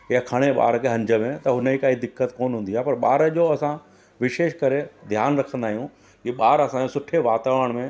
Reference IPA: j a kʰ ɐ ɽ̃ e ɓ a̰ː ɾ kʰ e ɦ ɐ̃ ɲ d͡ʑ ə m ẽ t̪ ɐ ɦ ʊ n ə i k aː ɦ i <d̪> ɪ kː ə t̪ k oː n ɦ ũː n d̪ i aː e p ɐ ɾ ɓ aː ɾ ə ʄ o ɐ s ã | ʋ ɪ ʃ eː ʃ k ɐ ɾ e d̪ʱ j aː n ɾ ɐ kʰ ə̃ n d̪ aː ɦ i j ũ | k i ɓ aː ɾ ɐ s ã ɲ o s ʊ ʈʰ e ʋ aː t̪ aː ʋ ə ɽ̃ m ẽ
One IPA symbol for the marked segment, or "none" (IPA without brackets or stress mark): d̪